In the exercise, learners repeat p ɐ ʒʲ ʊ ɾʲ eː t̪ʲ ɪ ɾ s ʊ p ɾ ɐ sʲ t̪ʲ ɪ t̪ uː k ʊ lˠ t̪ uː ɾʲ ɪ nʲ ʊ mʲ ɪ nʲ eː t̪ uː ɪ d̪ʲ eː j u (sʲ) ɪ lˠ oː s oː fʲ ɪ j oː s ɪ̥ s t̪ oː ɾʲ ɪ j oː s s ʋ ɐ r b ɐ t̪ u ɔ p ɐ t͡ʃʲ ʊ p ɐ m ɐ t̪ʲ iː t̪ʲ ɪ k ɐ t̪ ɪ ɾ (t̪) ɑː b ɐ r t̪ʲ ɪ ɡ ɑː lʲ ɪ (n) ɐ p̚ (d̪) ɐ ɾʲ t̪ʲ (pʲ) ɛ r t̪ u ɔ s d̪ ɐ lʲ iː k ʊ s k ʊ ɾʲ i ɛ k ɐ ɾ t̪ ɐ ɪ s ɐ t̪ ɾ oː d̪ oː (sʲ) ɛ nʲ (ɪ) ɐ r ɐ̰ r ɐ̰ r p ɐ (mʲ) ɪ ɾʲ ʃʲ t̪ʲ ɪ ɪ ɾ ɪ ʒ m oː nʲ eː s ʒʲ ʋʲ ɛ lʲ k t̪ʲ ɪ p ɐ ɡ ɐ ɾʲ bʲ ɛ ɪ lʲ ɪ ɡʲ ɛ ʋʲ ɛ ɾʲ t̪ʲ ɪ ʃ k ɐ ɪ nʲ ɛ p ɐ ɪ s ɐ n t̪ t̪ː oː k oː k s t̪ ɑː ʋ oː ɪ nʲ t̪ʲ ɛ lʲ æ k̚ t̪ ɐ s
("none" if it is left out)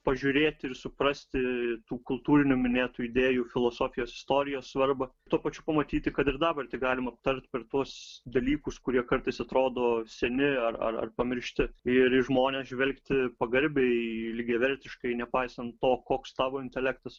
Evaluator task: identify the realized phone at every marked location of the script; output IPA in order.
fʲ, d̪, m, t̪, pʲ, sʲ, ɪ, mʲ

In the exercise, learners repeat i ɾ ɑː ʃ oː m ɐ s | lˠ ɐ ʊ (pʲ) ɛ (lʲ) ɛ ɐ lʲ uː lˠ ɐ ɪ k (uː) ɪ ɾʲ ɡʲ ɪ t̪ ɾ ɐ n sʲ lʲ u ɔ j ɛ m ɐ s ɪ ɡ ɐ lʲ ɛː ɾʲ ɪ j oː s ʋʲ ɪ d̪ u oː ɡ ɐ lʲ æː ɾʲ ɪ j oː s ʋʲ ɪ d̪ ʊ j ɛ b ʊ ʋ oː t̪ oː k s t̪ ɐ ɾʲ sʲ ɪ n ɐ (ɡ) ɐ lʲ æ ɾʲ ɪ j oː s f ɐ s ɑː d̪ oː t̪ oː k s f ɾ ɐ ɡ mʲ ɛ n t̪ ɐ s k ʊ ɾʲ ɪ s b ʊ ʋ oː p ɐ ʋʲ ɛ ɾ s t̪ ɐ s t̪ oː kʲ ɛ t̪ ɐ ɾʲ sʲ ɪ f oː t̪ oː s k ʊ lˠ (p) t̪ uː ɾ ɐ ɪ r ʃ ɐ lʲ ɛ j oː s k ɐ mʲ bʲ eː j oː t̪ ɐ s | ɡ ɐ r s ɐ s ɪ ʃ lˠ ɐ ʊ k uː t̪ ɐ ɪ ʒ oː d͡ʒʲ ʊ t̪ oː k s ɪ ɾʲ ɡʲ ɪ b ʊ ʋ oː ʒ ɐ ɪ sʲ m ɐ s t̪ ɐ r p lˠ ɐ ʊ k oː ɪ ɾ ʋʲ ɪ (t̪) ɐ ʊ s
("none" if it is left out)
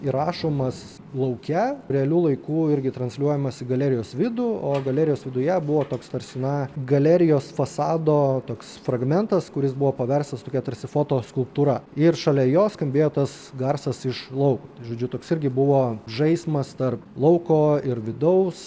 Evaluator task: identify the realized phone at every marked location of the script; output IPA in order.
kʲ, ɾʲ, uː, ɡ, p, d̪

